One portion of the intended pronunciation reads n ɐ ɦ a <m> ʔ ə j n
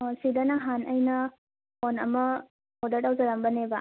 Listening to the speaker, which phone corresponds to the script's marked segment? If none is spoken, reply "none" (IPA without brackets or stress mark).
n